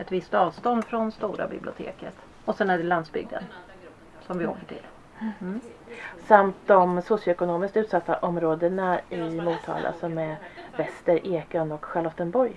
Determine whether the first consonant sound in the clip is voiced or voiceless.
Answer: voiceless